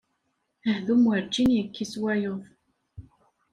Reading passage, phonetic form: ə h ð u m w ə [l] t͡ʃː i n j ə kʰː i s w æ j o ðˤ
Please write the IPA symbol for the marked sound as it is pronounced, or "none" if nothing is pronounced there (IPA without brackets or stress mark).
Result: ɾ